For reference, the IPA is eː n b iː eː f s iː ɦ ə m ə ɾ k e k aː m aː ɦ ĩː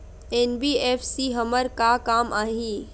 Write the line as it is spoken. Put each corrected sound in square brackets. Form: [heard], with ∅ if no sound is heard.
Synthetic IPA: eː n b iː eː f s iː ɦ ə m ə ɾ k [a] k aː m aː ɦ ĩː